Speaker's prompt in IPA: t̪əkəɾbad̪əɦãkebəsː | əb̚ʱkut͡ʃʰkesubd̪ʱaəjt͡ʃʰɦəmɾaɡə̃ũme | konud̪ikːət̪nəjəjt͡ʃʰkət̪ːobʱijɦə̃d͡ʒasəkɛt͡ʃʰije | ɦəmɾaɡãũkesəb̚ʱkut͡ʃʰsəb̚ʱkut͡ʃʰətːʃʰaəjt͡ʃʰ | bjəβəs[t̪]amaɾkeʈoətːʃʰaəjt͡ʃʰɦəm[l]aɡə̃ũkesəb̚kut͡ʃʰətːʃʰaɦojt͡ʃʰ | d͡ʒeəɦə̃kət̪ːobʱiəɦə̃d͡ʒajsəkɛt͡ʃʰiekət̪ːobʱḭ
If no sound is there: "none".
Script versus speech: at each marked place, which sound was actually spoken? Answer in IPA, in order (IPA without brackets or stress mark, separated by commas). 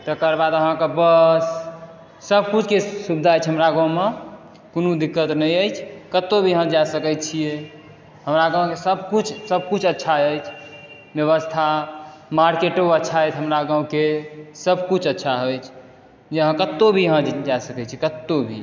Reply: t̪ʰ, ɾ